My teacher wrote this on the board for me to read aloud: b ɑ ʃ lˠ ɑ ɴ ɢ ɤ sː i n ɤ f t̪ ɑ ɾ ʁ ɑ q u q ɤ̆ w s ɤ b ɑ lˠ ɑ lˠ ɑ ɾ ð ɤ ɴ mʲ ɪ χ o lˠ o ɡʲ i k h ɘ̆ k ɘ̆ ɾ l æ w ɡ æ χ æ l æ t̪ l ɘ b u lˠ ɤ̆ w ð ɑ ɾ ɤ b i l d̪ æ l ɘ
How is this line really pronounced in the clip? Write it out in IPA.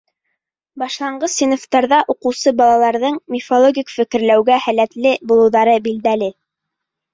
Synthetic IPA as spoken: b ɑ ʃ lˠ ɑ ɴ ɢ ɤ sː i n o f t̪ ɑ ɾ ð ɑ ʔ u q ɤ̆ w s ɤ b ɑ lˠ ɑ lˠ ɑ ɾ ð ɤ ɴ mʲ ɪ f o lˠ o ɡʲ i k f ɘ̆ k ɘ̆ ɾ l æ w ɡ æ h æ l æ t̪ l ɘ b u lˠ ɤ̆ w ð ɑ ɾ ɤ b i l d̪ æ l ɘ